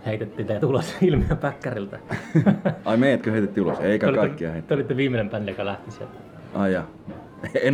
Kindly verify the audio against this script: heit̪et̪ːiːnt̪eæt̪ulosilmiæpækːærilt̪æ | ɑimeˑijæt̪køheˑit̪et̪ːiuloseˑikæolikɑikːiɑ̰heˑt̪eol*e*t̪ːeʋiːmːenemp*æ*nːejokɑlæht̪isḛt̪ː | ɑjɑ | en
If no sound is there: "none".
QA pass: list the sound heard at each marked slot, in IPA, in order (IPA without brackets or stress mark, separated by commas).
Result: i, æ